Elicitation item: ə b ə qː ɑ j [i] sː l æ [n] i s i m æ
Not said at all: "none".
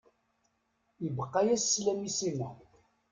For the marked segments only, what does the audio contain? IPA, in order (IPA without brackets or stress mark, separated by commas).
æ, m